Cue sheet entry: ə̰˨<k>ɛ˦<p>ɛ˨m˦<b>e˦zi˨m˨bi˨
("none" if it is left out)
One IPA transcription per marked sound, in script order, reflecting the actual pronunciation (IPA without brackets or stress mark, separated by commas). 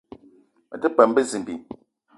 t, p, b